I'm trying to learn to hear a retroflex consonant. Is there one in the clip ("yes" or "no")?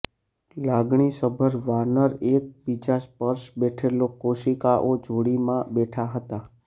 yes